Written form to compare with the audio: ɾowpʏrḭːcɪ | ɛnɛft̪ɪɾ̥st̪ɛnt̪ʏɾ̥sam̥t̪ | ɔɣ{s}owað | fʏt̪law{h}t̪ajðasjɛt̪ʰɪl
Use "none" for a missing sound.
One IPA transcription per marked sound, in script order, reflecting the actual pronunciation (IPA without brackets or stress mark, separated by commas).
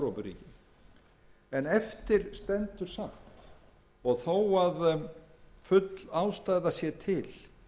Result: θ, s